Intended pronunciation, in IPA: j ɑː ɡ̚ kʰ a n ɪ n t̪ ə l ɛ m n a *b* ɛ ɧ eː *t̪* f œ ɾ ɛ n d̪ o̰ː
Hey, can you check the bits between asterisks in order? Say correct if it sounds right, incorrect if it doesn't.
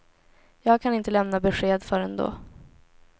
correct, incorrect: d̪

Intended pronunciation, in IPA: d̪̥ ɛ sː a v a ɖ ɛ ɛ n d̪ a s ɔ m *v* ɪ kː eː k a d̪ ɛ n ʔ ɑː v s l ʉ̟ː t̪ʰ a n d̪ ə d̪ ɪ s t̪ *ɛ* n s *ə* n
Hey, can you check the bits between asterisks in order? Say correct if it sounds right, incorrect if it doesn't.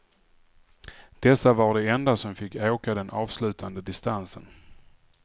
incorrect: f, incorrect: a, correct

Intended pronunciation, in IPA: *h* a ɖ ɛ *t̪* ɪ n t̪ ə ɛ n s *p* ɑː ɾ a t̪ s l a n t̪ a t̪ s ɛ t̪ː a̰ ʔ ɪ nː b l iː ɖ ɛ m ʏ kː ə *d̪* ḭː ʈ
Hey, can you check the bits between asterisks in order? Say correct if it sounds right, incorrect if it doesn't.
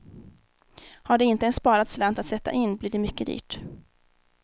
correct, incorrect: none, correct, correct

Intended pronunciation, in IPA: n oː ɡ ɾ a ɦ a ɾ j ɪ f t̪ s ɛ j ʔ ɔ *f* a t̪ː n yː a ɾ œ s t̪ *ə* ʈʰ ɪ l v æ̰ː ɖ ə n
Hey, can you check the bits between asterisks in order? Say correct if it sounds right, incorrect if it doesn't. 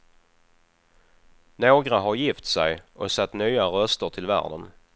incorrect: s, correct

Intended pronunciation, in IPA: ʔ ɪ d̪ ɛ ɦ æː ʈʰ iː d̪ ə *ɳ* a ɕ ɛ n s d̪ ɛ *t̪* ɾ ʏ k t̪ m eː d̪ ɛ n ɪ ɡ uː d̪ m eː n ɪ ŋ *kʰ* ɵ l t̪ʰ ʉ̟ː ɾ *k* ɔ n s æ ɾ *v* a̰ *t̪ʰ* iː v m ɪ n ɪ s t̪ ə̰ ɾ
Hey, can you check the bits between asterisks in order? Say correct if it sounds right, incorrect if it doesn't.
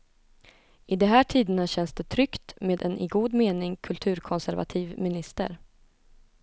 incorrect: n, incorrect: t̪ʰ, correct, incorrect: kʰ, correct, correct

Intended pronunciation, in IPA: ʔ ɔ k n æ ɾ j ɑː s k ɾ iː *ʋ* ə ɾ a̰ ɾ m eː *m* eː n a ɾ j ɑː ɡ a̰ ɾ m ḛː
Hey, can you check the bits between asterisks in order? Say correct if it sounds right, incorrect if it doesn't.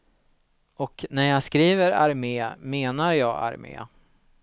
incorrect: v, correct

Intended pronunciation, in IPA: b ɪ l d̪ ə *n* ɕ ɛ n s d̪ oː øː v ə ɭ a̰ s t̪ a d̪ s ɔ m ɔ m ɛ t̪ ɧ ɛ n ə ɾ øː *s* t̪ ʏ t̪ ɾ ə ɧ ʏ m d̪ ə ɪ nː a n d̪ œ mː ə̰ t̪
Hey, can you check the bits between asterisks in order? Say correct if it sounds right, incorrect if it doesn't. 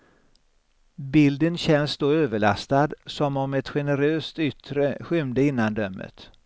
correct, correct

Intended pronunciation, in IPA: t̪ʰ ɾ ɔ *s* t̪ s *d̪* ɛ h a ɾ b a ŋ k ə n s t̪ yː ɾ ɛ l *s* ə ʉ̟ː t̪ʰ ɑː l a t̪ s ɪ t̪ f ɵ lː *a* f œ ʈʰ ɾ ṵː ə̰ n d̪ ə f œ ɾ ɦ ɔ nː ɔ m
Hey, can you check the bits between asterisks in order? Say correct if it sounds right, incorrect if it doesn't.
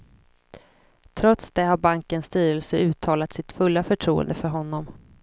incorrect: none, correct, correct, correct

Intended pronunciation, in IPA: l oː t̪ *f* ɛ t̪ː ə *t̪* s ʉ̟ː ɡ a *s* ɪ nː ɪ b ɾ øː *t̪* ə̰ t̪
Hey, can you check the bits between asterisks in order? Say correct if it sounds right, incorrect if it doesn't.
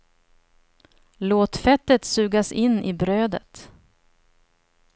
correct, correct, correct, incorrect: d̪

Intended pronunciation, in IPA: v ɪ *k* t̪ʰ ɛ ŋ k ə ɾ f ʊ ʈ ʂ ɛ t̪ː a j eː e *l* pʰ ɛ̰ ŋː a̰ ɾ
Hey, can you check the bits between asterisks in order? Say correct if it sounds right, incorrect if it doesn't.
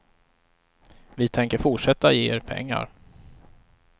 incorrect: none, incorrect: ɾ

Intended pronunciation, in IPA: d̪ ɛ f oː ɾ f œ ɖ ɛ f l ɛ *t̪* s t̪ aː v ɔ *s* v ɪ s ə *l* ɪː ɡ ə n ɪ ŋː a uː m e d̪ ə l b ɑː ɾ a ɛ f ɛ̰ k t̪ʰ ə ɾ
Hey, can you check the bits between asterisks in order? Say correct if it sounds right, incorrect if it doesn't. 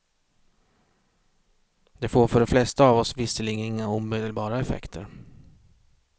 incorrect: none, correct, correct

